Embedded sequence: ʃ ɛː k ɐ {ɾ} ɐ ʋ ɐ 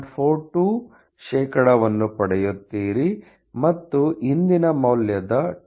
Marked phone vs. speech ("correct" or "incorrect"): incorrect